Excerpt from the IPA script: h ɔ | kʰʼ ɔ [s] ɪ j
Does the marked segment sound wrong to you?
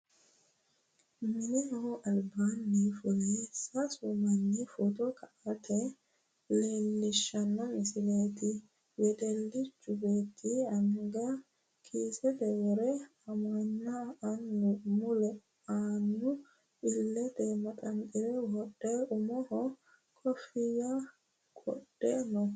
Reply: yes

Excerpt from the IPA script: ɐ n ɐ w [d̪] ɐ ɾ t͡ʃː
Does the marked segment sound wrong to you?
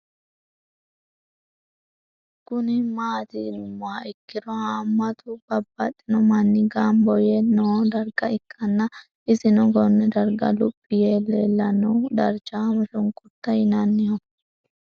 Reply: no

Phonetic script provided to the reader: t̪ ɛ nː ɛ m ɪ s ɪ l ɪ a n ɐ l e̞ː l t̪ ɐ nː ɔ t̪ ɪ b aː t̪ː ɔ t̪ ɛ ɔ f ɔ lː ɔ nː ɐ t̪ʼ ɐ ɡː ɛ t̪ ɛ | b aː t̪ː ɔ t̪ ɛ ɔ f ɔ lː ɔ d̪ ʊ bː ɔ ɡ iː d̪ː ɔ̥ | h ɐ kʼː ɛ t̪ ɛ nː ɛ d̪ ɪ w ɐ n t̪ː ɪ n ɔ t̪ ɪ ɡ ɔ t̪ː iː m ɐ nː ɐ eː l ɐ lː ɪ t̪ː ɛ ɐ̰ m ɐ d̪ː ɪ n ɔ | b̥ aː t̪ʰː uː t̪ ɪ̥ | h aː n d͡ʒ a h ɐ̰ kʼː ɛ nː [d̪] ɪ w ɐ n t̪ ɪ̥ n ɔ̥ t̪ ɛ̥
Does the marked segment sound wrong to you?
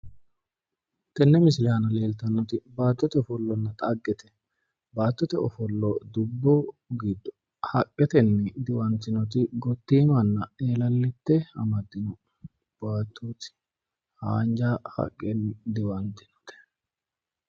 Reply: no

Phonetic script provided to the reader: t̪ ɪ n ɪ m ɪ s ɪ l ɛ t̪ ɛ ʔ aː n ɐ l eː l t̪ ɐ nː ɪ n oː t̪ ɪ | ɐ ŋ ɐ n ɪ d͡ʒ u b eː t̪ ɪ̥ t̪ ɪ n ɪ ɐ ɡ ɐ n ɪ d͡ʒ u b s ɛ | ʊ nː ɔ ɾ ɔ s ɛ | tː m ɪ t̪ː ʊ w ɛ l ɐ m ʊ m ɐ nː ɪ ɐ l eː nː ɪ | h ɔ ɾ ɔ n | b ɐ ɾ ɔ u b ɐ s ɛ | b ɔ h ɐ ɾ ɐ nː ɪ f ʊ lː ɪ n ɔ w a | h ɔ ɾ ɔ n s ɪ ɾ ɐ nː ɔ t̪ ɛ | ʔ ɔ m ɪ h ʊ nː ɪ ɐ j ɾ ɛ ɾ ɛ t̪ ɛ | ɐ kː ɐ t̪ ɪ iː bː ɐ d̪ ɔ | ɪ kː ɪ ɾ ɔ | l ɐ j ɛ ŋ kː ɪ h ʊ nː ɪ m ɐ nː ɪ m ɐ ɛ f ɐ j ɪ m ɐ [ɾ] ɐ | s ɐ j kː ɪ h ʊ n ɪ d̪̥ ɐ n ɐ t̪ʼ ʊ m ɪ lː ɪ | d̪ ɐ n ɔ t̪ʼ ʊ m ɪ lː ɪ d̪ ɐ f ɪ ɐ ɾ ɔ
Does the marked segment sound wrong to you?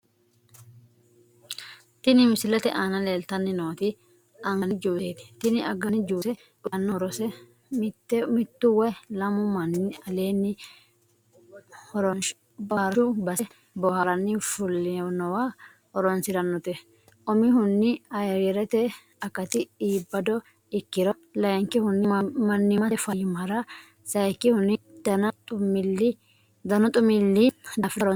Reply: no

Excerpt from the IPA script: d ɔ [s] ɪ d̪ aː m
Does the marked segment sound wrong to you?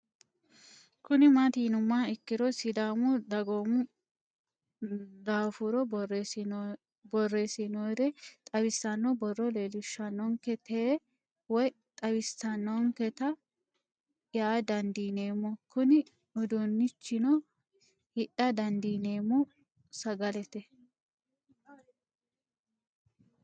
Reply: no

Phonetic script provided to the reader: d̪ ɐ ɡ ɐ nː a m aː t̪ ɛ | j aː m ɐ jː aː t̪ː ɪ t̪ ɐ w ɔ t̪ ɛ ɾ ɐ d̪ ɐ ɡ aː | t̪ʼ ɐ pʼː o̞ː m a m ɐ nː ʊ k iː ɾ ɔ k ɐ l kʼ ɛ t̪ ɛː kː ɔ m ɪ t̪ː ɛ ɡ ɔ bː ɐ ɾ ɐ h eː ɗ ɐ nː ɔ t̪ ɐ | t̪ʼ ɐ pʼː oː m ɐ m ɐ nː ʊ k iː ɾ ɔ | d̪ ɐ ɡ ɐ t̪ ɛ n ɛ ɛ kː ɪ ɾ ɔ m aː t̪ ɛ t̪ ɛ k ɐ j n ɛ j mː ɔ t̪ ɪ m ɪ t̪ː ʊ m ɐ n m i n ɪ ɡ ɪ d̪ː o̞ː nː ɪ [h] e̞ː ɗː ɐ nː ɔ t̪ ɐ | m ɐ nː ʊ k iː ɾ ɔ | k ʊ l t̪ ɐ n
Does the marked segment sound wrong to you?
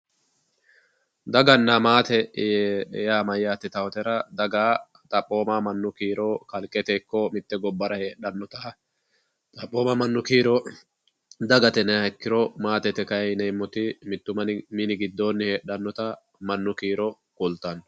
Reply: no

